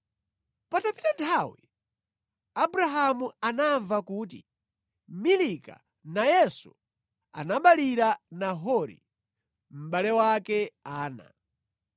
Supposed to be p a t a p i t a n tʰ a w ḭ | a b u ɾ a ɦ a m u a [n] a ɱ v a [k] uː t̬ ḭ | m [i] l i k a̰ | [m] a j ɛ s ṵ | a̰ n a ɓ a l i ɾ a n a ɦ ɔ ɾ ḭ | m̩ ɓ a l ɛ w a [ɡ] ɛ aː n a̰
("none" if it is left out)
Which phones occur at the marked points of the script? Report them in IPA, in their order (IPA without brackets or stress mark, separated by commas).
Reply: n, k, i, n, k